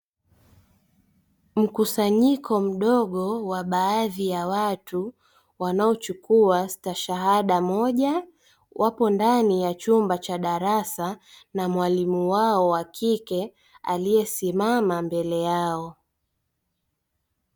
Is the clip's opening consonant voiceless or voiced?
voiced